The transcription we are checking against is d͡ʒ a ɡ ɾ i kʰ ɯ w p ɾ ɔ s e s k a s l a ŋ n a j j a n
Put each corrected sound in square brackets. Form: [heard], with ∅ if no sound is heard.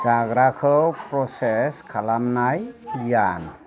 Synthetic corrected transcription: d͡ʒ a ɡ ɾ [a] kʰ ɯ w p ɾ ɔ s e s [kʰ] a [∅] l a [m] n a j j a n